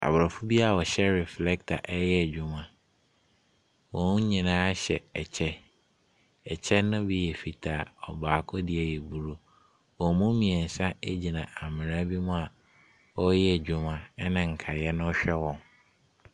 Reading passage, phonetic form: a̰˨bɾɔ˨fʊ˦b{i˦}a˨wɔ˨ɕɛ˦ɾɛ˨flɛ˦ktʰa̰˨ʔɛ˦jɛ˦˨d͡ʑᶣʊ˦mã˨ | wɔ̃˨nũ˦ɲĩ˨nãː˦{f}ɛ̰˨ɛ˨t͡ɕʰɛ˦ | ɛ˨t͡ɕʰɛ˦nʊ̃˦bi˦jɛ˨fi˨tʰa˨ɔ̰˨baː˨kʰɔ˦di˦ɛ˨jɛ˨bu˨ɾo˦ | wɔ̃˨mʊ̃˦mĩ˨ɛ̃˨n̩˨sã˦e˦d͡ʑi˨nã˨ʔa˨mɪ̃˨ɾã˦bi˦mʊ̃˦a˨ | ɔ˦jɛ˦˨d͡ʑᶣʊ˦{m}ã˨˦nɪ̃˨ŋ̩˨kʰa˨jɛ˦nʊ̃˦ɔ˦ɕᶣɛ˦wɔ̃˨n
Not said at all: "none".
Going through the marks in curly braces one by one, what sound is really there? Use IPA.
i˦, ɕ, m

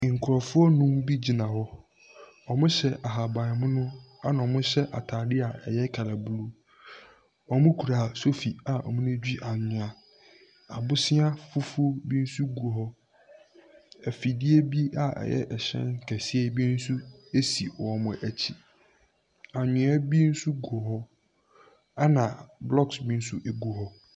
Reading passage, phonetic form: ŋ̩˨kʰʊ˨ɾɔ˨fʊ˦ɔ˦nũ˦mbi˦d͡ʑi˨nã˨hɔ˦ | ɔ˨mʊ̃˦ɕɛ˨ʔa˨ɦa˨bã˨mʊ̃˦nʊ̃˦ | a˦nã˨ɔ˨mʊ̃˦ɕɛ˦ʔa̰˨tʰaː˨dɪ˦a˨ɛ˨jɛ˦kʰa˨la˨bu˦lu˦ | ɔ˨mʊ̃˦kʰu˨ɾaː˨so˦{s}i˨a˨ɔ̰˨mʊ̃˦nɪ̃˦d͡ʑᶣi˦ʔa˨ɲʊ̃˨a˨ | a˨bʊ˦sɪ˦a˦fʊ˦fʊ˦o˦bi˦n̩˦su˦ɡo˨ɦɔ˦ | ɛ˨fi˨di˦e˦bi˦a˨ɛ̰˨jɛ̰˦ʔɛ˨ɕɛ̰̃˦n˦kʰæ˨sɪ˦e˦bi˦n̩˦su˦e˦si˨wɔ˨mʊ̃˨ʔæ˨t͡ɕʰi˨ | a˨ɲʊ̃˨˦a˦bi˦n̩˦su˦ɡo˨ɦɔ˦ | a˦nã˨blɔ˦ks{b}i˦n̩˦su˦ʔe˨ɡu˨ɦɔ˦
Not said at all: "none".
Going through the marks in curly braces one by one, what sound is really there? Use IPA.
f, b

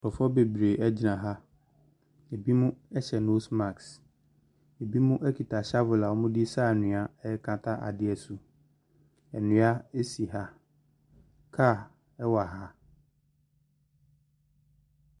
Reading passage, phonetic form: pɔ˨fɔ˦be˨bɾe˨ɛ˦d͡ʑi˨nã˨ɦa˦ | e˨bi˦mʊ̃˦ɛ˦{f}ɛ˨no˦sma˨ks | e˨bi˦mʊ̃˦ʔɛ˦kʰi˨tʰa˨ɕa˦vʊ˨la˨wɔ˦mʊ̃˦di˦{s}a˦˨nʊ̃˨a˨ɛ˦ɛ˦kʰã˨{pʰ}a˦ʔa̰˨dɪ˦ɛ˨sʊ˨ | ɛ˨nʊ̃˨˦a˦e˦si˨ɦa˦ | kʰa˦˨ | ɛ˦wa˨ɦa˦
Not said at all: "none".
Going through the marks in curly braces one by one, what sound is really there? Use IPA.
ɕ, s, tʰ

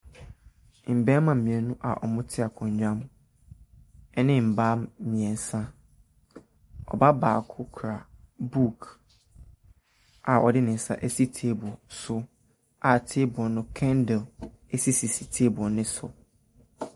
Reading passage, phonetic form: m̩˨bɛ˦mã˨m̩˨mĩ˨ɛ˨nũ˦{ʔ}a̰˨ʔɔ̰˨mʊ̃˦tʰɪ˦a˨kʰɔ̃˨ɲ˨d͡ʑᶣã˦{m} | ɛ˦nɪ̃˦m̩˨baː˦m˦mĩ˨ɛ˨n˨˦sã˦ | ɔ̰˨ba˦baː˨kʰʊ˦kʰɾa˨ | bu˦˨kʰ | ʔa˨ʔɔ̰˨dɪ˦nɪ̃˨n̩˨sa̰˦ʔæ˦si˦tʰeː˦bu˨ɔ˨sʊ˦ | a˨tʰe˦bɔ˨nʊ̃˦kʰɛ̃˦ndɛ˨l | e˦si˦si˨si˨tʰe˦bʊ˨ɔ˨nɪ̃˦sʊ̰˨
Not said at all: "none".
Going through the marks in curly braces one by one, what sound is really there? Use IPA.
ʔ, m

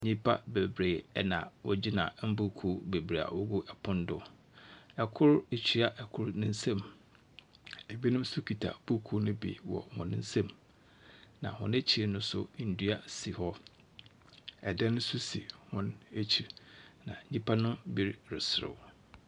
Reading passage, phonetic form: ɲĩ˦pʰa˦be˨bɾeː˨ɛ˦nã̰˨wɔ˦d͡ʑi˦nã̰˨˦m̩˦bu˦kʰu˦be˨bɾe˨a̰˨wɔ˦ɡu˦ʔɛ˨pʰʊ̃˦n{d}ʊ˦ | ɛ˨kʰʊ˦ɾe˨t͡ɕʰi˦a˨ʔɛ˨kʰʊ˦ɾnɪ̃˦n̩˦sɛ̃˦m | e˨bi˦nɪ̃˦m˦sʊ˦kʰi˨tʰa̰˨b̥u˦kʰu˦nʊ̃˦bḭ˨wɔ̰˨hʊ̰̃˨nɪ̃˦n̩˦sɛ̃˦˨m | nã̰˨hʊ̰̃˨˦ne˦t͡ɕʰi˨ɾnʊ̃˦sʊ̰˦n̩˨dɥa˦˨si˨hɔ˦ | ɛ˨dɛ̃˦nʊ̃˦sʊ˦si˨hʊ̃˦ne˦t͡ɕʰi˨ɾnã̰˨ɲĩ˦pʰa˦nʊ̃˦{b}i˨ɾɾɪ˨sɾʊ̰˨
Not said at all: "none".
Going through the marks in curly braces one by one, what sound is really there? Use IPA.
d, b

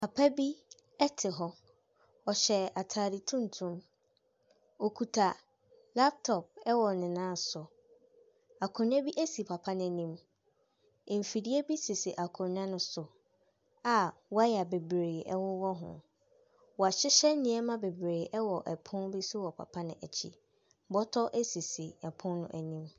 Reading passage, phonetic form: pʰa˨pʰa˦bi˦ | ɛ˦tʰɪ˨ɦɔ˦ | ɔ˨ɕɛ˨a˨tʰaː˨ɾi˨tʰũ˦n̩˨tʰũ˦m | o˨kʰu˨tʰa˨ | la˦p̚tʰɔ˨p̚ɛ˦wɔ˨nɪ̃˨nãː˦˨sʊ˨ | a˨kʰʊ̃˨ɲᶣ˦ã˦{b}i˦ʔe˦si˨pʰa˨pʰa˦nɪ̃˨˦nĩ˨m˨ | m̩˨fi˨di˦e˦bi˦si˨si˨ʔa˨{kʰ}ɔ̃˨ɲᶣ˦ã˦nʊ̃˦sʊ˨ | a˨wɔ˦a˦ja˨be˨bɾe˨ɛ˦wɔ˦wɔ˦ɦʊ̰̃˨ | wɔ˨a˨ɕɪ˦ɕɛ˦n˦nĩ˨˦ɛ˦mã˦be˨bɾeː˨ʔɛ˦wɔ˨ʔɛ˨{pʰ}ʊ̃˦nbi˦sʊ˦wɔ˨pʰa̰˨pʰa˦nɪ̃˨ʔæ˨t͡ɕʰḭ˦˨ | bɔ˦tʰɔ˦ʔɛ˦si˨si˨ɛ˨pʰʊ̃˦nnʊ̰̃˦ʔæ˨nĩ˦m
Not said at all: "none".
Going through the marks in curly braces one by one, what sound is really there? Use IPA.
b, kʰ, pʰ

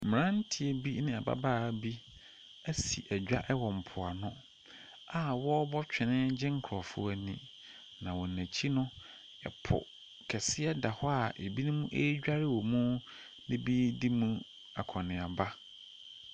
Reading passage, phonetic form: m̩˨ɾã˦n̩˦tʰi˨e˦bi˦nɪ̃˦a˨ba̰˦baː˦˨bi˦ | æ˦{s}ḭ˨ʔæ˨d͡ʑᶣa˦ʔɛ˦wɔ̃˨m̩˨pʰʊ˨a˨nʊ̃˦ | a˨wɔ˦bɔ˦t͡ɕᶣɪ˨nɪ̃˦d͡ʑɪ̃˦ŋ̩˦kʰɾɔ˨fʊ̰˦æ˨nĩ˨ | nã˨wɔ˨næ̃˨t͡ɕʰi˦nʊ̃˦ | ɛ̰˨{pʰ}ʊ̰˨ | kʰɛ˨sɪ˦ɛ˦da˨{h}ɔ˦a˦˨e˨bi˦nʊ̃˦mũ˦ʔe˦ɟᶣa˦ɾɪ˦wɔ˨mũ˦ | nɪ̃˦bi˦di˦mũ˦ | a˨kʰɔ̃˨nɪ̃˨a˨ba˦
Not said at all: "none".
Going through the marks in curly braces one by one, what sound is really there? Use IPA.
s, pʰ, h

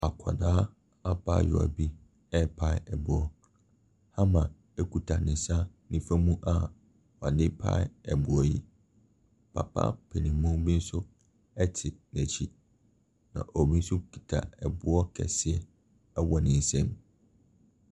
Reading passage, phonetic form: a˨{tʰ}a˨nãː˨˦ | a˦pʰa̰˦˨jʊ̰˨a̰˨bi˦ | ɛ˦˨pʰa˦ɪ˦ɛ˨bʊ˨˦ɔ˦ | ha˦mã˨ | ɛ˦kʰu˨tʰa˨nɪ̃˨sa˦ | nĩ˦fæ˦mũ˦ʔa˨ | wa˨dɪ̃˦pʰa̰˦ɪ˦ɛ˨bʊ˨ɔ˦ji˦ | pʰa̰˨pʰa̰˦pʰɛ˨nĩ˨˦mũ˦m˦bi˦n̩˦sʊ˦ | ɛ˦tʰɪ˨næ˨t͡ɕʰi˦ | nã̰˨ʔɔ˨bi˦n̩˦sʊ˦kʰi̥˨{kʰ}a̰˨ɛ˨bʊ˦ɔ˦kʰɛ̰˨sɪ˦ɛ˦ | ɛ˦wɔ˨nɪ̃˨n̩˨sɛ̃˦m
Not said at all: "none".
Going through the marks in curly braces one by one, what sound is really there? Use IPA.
kʰ, tʰ

